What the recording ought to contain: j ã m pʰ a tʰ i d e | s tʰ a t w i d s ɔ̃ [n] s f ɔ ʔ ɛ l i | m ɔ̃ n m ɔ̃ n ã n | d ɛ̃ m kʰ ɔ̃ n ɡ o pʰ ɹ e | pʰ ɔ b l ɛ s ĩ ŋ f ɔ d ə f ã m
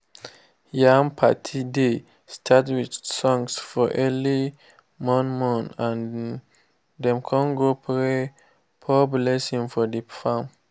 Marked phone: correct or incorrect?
incorrect: ŋ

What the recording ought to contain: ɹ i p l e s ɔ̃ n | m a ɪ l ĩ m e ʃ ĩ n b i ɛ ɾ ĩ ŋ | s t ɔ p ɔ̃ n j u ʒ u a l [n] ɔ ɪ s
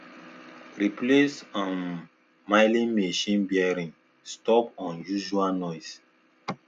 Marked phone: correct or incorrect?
correct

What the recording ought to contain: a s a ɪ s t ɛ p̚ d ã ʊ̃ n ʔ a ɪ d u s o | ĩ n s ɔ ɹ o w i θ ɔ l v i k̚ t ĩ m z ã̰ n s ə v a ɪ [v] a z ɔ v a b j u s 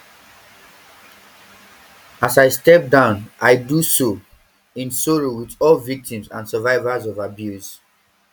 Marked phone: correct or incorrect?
correct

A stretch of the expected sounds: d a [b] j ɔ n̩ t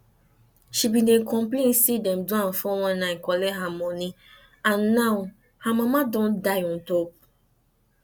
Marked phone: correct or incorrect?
incorrect: none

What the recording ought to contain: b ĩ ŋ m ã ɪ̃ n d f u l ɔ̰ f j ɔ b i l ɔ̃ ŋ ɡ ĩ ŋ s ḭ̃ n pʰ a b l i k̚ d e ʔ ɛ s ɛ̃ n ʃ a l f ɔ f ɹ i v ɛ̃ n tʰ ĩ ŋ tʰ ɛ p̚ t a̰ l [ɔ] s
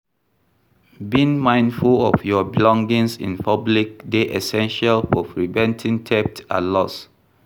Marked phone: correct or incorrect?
correct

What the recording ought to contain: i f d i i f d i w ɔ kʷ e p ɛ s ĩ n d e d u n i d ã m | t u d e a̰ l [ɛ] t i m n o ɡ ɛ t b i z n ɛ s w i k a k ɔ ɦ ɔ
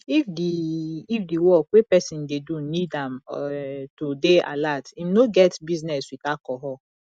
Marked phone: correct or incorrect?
incorrect: a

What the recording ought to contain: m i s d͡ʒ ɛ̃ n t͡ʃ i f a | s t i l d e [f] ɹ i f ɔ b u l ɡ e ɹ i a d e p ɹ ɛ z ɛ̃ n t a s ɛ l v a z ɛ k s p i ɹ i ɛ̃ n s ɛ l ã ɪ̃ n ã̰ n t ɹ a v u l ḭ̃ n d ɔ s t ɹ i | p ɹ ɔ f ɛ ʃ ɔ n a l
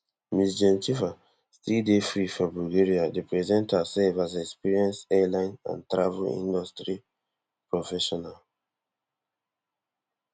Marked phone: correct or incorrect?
correct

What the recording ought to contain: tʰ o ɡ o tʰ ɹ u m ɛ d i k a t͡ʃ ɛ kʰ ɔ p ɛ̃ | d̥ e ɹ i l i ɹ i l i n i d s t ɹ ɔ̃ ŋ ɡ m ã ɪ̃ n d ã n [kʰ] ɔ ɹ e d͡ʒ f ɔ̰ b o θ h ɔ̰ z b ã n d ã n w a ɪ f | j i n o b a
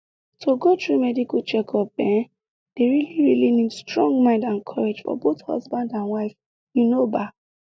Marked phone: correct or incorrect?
correct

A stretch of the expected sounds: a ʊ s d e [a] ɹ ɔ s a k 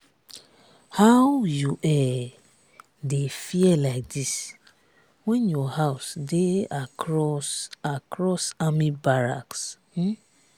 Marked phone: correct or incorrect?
correct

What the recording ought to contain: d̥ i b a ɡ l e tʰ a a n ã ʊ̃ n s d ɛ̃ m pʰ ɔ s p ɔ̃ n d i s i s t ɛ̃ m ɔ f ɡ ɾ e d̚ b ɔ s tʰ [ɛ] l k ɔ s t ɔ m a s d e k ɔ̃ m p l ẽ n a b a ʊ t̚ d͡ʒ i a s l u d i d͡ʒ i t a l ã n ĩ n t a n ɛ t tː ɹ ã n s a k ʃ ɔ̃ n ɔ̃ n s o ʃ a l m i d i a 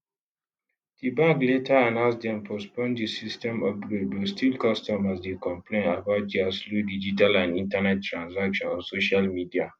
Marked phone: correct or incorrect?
incorrect: i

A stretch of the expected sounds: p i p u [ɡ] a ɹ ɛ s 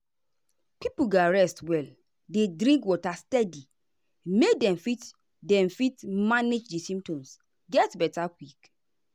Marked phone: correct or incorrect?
correct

